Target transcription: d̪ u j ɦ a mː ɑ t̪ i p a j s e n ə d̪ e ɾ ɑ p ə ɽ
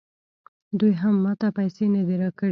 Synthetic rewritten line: d̪ u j ɦ a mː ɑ t̪ a p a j s e n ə d̪ e ɾ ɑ k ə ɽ

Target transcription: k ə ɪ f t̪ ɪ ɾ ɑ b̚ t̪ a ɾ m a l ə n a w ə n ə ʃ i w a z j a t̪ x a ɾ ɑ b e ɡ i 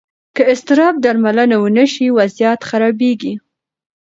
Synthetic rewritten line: k ə ɪ s t̪ ɪ ɾ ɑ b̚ d̪ a ɾ m a l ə n a w ə n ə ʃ i w a z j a t̪ x a ɾ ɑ b e ɡ i

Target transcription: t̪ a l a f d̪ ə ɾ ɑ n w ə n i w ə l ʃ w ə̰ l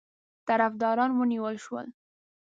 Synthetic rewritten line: t̪ a ɾ a f d̪ ɑ ɾ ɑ n w ə n i w ə l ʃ w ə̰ l

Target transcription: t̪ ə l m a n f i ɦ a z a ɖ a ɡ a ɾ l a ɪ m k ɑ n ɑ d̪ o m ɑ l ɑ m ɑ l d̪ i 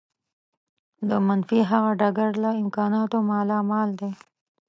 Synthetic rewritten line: d̪ ə m a n f i ɦ a ɣ a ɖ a ɡ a ɾ l a ɪ m k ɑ n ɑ t̪ o m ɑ l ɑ m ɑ l d̪ e

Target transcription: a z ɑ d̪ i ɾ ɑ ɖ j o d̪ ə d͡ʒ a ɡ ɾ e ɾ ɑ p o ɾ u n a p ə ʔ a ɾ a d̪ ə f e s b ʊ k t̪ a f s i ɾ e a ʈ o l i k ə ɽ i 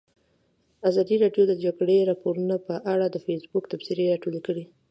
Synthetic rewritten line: a z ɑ d̪ i ɾ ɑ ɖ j o d̪ ə d͡ʒ a ɡ ɽ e ɾ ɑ p o ɾ u n a p ə ʔ a ɽ a d̪ ə f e s b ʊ k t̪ a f s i ɾ e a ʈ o l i k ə ɽ i

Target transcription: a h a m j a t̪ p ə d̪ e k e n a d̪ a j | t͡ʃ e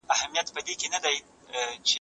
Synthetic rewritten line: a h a m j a t̪ p ə d̪ e k e n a d̪ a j | t͡ʃ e

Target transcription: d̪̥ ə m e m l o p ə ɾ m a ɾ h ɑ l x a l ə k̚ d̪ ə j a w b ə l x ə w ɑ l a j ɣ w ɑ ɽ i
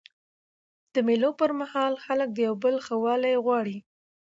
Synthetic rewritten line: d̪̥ ə m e l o p ə ɾ m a h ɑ l x a l ə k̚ d̪ ə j a w b ə l x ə w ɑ l a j ɣ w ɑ ɽ i

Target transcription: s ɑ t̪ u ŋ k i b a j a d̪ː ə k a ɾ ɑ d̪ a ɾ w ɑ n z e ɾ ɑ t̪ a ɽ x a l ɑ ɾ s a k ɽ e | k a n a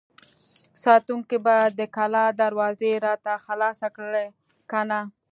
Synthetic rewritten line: s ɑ t̪ u ŋ k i b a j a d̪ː ə k a l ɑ d̪ a ɾ w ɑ z e ɾ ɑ t̪ a x a l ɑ s a k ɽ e | k a n a

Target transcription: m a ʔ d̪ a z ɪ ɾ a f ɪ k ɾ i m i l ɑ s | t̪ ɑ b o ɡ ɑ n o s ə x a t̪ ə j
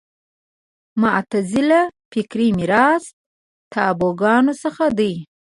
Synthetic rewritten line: m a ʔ t̪ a z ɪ l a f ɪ k ɾ i m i ɾ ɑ s | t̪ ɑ b o ɡ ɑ n o s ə x a d̪ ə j

